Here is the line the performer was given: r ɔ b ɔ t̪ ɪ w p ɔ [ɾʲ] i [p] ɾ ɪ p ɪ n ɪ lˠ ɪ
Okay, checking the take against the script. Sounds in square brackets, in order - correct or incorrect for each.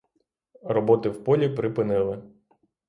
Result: incorrect, correct

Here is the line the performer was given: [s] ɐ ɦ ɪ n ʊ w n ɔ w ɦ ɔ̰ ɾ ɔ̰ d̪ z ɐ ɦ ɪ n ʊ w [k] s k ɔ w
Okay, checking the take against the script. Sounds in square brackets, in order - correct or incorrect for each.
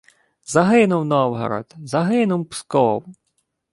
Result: incorrect, incorrect

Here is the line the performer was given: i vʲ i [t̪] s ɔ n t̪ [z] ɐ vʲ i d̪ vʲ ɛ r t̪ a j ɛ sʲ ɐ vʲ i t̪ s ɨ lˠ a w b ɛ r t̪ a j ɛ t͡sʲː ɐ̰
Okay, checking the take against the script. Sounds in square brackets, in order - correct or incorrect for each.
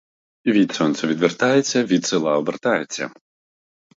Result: correct, incorrect

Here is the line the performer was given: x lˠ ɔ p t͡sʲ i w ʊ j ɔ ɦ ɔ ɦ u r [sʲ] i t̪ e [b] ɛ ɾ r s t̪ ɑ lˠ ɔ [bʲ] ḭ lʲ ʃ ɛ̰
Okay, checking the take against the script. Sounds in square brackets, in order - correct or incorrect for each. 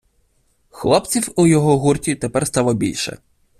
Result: incorrect, incorrect, correct

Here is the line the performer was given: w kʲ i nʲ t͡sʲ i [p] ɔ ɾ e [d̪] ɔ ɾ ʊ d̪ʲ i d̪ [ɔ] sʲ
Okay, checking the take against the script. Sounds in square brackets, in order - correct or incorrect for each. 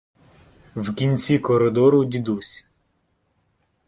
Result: incorrect, correct, incorrect

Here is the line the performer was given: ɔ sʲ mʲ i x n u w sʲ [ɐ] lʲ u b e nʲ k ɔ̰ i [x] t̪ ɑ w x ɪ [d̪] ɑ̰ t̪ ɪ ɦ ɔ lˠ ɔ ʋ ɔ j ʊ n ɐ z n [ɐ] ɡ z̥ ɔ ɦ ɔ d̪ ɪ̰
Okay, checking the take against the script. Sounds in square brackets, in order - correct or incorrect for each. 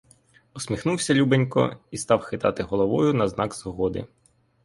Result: correct, incorrect, incorrect, incorrect

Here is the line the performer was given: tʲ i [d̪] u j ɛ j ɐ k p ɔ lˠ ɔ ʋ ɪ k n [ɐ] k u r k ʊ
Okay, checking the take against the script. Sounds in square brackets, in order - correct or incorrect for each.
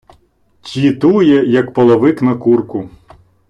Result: incorrect, correct

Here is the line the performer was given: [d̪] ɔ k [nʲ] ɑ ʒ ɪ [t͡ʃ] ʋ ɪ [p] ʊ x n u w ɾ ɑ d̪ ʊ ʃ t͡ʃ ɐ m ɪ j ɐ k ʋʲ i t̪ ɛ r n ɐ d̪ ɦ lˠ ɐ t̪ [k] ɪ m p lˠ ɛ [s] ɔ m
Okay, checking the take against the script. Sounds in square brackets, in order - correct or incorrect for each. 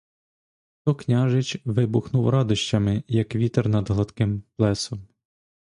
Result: incorrect, correct, correct, incorrect, correct, correct

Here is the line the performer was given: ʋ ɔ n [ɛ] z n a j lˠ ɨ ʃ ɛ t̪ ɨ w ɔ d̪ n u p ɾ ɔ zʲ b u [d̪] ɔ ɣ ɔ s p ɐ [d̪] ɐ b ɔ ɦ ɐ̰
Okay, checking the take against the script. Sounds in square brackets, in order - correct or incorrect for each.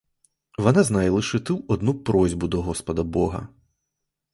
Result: incorrect, correct, correct

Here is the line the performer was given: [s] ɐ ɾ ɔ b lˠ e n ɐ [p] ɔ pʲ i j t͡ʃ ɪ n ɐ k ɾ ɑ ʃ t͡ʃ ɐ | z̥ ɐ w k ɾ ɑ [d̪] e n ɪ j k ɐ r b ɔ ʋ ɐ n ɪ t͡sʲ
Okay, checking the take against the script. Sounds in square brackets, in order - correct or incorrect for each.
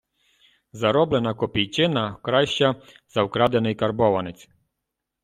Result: incorrect, incorrect, correct

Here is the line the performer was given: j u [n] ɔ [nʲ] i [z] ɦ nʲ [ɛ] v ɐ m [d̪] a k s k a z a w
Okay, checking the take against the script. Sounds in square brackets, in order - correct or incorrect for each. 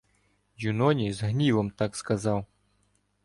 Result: correct, correct, correct, incorrect, incorrect

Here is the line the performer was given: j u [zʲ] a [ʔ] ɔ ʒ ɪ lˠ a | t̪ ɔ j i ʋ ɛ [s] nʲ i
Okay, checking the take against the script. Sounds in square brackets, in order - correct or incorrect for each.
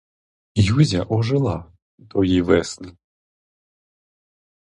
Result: correct, correct, correct

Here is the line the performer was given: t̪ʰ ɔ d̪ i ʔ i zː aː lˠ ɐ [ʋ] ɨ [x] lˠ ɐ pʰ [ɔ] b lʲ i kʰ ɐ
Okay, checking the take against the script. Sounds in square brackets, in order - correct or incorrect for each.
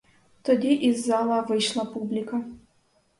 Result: incorrect, incorrect, incorrect

